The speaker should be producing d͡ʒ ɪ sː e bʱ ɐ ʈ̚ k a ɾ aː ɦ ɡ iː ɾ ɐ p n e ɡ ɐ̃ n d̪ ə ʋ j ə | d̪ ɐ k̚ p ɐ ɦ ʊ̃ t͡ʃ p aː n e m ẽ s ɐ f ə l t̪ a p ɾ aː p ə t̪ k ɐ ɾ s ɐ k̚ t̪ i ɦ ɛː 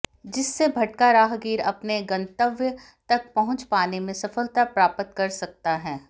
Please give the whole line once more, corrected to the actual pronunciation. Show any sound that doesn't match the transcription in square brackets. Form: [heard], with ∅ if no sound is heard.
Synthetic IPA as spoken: d͡ʒ ɪ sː e bʱ ɐ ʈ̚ k a ɾ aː ɦ ɡ iː ɾ ɐ p n e ɡ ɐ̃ n [t̪] ə ʋ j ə | [t̪] ɐ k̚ p ɐ ɦ ʊ̃ t͡ʃ p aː n e m ẽ s ɐ f ə l t̪ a p ɾ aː p ə t̪ k ɐ ɾ s ɐ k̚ t̪ [a] ɦ ɛː